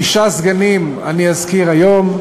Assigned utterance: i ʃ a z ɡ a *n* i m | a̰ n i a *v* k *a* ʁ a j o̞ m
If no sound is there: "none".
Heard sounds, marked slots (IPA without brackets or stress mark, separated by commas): n, z, i